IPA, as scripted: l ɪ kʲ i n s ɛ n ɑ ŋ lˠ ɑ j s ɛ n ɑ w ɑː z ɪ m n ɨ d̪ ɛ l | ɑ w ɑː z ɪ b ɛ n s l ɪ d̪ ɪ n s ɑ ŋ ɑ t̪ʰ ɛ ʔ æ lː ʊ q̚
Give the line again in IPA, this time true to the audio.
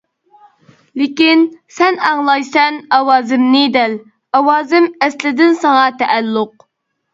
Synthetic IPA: l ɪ kʲ i n s ɛ n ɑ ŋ lˠ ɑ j s ɛ n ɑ w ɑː z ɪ m n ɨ d̪ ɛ l | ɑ w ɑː z ɪ m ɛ s l ɪ d̪ ɪ n s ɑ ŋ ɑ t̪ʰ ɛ ʔ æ lː ʊ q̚